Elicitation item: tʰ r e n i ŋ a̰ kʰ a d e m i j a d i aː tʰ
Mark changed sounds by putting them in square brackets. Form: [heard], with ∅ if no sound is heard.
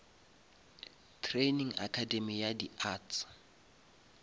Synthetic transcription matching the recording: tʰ r e n i ŋ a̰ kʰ a d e m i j a d i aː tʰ